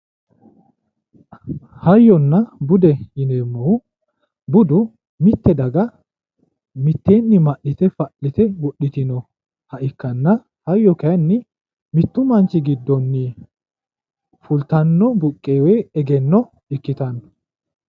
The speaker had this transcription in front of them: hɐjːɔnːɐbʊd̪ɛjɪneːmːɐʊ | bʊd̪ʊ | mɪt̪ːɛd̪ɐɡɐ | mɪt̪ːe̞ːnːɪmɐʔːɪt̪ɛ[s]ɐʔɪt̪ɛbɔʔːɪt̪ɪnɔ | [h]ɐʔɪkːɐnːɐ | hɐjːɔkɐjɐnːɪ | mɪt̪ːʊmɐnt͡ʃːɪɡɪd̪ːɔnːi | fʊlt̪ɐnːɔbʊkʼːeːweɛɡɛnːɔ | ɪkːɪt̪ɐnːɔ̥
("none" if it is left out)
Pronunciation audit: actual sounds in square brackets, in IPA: f, h

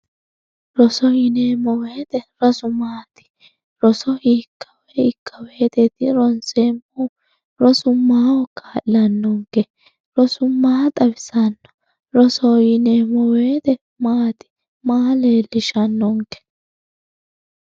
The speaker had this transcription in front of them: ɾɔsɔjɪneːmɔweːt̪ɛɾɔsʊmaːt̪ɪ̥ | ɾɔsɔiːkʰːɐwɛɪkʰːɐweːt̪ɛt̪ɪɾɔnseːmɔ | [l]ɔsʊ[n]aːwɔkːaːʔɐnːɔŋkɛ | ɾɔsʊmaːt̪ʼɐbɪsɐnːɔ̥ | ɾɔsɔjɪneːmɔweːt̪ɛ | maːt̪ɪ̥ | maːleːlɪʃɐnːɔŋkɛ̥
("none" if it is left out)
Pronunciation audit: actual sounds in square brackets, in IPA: ɾ, m

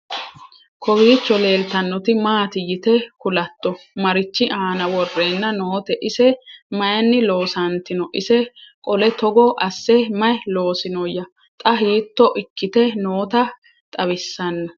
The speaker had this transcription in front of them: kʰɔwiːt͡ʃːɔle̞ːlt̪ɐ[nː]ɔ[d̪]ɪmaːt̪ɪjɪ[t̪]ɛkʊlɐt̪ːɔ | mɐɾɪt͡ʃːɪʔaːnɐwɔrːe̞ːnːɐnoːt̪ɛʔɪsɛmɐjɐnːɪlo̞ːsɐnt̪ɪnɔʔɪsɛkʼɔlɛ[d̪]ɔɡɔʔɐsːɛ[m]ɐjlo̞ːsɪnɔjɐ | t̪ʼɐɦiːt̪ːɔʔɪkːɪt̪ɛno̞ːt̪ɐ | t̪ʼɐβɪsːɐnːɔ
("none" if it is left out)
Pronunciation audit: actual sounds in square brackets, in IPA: nː, t̪, t̪, t̪, m

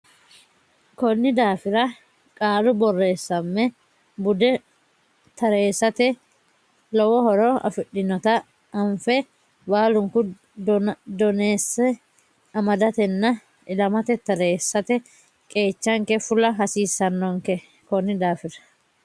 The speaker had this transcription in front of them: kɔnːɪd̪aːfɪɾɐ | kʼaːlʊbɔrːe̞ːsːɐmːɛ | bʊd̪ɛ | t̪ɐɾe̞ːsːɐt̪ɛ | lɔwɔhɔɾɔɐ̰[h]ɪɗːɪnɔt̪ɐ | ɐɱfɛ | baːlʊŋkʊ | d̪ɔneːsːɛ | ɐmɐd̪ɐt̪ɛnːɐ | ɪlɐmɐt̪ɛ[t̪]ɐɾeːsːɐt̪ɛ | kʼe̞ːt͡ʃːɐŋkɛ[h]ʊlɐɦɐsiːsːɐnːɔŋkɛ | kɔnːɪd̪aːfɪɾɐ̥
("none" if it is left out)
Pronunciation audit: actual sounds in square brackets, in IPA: f, t̪, f

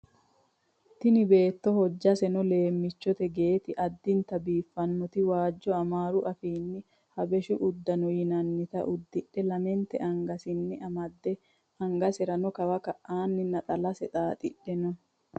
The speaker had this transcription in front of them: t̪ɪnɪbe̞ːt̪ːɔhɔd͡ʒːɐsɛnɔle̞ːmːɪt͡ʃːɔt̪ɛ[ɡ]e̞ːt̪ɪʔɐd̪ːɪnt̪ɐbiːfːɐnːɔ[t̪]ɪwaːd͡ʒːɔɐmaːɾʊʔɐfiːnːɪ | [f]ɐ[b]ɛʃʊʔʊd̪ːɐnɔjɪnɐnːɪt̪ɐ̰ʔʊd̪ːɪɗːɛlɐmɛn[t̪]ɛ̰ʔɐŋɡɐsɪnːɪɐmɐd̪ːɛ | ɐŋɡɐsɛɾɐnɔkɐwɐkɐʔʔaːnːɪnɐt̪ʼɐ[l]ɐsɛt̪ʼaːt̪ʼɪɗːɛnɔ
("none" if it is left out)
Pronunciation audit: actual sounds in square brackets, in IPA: ɡ, t̪, h, b, t̪, l

